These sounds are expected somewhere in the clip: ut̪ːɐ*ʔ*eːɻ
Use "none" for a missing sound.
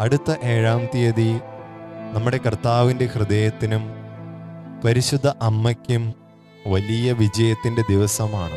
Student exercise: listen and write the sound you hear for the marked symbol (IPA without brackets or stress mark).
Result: ʔ